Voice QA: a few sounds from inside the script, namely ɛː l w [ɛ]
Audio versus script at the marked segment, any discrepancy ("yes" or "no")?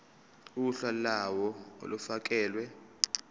no